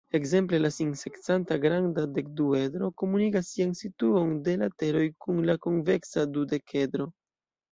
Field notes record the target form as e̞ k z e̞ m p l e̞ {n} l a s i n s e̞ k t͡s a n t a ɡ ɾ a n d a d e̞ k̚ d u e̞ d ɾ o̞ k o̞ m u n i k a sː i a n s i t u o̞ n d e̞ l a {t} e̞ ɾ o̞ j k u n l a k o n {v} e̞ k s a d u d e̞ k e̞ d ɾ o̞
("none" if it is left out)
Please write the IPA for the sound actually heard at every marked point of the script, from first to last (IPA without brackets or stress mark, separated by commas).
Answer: none, t, v